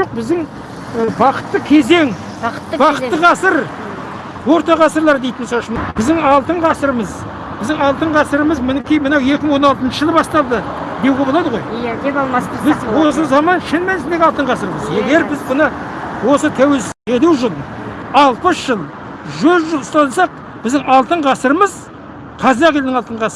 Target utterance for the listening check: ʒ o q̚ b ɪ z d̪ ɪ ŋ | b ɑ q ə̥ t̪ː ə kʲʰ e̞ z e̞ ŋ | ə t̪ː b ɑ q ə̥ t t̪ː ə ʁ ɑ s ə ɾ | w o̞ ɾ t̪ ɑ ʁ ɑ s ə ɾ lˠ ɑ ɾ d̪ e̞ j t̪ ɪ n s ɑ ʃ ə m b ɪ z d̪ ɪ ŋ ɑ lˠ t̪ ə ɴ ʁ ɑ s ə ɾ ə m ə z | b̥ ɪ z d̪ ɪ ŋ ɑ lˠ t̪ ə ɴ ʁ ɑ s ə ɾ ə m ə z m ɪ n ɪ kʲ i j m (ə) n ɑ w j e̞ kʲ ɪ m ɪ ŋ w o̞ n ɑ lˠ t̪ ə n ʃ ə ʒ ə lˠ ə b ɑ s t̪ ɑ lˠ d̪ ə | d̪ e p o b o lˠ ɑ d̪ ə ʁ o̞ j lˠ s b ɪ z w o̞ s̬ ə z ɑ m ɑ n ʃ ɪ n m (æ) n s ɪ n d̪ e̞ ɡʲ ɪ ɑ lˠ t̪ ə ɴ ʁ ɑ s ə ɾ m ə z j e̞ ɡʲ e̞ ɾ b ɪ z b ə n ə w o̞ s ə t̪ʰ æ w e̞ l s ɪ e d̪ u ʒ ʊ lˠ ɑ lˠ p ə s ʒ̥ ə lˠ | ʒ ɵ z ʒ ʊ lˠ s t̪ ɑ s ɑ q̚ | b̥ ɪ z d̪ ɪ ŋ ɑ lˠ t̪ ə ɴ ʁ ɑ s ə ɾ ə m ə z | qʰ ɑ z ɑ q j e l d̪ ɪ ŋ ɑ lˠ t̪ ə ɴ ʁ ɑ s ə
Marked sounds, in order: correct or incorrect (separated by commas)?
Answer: correct, correct